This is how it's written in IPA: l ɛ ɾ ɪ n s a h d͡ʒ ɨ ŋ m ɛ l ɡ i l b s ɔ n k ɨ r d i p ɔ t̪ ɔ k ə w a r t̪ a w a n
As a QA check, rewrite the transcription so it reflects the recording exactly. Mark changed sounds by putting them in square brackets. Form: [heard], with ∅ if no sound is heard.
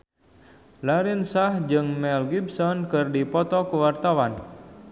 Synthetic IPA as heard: l [a] ɾ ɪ n s a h d͡ʒ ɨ ŋ m ɛ l ɡ i [∅] b s ɔ n k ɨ r d i p ɔ t̪ ɔ k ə w a r t̪ a w a n